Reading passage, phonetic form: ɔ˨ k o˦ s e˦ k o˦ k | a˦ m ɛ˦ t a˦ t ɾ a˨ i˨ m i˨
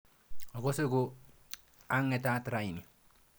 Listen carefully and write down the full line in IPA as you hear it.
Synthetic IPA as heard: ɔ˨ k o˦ s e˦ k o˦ | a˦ ŋ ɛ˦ t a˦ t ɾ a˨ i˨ n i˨

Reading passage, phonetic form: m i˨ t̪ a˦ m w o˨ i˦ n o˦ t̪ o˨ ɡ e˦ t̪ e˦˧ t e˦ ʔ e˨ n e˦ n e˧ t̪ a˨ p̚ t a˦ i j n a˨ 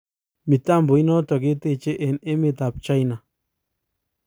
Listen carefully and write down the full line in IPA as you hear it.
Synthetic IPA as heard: m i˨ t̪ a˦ m b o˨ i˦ n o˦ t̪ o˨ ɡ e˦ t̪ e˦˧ t͡ʃ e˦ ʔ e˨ n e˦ m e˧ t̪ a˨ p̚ t͡ʃ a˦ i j n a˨

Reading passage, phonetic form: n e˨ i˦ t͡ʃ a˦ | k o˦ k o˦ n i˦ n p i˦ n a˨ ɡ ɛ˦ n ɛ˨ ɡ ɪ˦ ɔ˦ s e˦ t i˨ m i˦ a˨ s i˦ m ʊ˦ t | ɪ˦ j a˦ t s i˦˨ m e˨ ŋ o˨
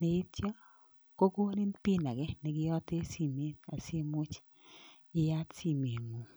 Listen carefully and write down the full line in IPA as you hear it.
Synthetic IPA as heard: n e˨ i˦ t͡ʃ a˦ | k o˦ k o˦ n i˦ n p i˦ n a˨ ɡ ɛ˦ n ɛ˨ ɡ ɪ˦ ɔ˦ t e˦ s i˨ m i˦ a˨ s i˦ m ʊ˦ t͡ʃ | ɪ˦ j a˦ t s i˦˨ m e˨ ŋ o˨

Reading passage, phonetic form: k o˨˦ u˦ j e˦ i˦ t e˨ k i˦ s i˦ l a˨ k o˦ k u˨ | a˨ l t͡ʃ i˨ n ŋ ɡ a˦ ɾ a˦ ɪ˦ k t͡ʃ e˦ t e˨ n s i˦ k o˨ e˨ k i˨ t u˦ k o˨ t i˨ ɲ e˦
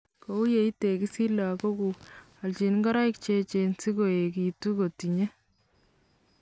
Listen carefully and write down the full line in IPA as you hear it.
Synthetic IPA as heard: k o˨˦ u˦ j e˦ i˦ t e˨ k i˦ s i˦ l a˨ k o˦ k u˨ | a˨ l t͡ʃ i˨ n ŋ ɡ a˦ ɾ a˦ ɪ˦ k t͡ʃ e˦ t͡ʃ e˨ n s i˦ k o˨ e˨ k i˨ t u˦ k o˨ t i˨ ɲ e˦

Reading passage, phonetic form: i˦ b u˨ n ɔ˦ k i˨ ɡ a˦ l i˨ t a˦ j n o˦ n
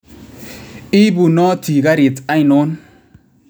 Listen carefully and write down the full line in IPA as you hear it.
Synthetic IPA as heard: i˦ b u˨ n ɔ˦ t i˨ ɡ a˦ ɾ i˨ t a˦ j n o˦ n

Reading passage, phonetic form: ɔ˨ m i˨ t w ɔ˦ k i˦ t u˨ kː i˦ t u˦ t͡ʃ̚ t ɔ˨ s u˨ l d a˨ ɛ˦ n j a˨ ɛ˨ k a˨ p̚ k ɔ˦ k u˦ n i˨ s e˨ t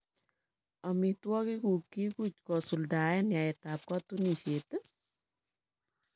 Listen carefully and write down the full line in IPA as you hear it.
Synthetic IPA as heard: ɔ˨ m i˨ t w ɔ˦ k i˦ k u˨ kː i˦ k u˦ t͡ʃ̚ k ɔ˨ s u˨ l d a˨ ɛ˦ n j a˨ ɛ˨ t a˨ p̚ k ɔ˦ t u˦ n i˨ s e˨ t

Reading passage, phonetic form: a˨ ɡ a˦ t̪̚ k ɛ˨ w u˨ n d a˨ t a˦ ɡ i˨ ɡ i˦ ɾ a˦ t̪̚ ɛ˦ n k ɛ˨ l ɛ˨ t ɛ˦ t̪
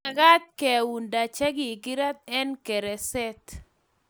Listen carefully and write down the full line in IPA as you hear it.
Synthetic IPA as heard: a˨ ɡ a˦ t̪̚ k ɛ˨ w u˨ n d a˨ t͡ʃ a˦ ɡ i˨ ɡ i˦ ɾ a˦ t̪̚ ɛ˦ n k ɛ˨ ɾ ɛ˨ s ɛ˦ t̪

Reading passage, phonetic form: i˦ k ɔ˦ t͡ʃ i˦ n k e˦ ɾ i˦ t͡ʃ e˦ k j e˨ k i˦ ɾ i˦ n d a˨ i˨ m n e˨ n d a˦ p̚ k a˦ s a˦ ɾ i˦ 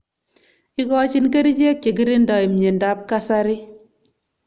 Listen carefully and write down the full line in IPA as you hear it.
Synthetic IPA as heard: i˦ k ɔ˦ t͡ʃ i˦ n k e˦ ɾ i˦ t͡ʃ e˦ k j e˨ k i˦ ɾ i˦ n d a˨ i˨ m ɲ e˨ n d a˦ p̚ k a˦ s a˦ ɾ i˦

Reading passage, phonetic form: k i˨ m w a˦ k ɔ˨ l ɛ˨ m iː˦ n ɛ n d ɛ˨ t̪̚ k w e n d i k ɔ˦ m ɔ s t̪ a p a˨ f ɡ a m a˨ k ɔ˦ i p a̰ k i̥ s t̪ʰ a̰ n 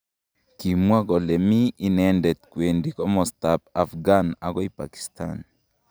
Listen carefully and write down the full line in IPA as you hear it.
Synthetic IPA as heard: k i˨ m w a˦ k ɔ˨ l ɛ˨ m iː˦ n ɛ n d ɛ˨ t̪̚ k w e n d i k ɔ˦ m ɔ s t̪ a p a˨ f ɡ a n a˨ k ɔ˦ i p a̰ k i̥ s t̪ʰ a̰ n

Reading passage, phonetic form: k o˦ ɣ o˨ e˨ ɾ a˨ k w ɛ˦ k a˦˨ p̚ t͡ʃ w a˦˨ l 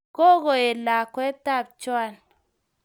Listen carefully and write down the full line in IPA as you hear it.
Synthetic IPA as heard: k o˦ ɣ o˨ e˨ l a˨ k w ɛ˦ t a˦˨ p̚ t͡ʃ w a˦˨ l

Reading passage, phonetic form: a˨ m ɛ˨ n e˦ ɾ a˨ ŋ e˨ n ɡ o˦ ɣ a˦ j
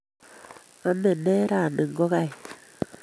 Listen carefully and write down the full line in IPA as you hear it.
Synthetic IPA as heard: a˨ m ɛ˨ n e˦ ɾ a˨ n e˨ ŋ ɡ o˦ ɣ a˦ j

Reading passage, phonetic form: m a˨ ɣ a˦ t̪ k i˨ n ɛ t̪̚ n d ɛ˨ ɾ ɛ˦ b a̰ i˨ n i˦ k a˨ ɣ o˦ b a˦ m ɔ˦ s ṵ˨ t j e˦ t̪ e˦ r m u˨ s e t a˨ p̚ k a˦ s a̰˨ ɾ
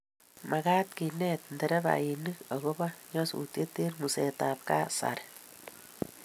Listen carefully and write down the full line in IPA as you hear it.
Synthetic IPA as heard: m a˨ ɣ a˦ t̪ k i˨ n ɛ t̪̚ n d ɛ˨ ɾ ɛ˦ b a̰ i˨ n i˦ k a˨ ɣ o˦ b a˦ ɲ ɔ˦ s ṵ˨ t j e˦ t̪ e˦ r m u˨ s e t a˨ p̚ k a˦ s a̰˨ ɾ

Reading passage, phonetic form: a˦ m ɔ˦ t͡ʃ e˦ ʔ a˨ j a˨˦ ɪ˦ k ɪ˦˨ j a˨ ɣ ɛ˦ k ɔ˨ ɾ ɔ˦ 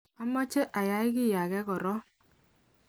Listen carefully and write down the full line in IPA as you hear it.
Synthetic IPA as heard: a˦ m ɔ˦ t͡ʃ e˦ ʔ a˨ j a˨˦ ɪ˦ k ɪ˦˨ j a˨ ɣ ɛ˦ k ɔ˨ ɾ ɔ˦

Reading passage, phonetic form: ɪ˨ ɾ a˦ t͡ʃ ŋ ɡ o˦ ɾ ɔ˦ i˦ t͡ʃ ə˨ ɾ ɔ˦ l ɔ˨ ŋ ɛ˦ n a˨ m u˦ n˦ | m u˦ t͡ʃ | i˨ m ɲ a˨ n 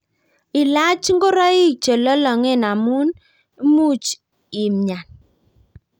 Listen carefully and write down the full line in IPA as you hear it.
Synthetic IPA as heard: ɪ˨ l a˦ t͡ʃ ŋ ɡ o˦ ɾ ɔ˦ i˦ t͡ʃ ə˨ l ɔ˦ l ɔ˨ ŋ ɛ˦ n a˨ m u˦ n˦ | m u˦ t͡ʃ | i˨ m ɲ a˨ n

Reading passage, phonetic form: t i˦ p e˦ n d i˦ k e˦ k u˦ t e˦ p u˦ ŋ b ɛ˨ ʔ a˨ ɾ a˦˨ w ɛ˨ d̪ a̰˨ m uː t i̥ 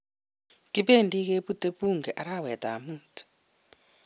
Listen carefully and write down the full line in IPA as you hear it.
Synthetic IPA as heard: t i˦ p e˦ n d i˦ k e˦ p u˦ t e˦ p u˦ ŋ ɡ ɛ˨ ʔ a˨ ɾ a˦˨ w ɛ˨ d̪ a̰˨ m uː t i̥

